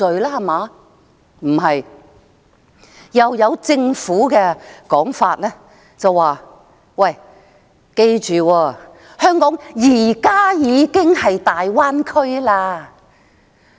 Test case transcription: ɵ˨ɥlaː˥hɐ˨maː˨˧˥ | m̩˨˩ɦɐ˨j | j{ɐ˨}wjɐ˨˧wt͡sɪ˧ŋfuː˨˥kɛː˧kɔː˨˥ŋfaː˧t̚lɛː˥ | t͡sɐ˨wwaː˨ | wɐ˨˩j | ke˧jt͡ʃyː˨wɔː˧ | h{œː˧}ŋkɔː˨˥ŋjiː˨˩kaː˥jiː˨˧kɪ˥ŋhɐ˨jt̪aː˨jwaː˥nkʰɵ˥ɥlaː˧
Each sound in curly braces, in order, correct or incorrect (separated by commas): correct, incorrect